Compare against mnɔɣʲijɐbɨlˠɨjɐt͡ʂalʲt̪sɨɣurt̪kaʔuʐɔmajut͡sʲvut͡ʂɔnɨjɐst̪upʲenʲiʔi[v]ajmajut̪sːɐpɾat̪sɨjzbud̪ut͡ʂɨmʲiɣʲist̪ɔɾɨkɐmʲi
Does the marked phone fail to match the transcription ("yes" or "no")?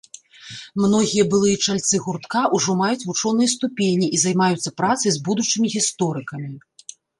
yes